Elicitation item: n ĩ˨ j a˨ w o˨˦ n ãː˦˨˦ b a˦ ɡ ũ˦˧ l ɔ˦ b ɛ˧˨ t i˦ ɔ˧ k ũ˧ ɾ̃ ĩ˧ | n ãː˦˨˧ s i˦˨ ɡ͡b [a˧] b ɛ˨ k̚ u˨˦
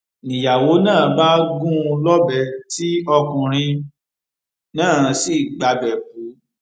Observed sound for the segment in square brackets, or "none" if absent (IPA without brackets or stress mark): a˧